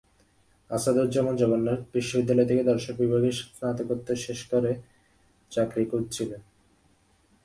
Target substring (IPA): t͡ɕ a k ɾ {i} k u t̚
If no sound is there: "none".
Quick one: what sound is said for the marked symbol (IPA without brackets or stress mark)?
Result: i